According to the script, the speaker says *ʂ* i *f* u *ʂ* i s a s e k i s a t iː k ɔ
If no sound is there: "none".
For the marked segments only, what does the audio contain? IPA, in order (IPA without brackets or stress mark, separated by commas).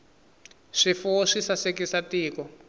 ʂ, f, ʂ